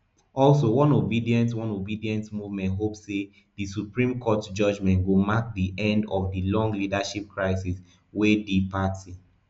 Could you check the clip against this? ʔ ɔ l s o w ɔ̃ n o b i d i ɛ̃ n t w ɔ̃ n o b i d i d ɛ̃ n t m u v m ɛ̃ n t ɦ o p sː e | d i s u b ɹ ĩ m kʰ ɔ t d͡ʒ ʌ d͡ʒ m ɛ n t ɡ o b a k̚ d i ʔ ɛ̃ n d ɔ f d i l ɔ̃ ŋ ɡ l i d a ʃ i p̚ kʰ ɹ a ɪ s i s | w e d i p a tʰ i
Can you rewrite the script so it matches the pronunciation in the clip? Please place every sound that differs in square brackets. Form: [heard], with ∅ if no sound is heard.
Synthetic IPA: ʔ ɔ l s o w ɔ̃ n o b i d i ɛ̃ n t w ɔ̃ n o b i d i [∅] ɛ̃ n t m u v m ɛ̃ n t ɦ o p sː e | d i s u [p] ɹ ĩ m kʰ ɔ t d͡ʒ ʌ d͡ʒ m [ɛ̃] n t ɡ o [m] a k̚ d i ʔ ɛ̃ n d ɔ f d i l ɔ̃ ŋ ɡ l i d a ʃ i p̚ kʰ ɹ a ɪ s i s | w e d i p a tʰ i

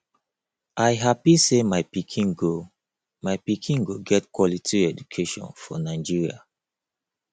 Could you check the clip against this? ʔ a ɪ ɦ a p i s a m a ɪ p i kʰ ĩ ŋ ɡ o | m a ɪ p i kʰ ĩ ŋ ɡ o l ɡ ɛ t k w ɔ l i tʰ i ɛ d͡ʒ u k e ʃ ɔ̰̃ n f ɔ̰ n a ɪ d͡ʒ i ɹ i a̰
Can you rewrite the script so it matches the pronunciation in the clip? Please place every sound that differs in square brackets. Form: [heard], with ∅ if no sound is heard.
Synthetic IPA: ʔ a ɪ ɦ a p i s [e] m a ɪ p i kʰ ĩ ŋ ɡ o | m a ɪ p i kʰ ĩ ŋ ɡ o [∅] ɡ ɛ t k w ɔ l i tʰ i ɛ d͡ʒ u [kʰ] e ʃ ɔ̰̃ n f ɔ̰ n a ɪ d͡ʒ i ɹ i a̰

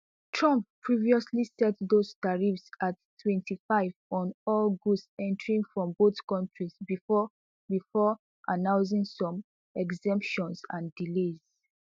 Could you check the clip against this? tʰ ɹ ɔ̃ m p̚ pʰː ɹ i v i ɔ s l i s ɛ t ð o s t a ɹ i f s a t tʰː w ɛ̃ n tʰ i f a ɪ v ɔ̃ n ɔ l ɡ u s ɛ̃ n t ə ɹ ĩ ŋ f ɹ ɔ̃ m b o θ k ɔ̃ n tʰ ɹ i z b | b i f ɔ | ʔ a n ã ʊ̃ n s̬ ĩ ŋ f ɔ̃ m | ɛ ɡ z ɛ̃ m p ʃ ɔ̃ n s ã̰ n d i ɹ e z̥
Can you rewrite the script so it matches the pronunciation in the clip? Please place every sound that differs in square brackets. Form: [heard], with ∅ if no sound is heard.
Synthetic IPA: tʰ ɹ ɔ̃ m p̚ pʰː ɹ i v i ɔ s l i s ɛ t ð o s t a ɹ i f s a t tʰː w ɛ̃ n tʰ i f a ɪ v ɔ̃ n ɔ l ɡ u s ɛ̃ n t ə ɹ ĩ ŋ f ɹ ɔ̃ m b o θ k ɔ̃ n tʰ ɹ i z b | b i f ɔ | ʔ a n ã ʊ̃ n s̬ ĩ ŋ [s] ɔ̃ m | ɛ ɡ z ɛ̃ m p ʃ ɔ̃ n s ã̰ n d i [l] e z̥

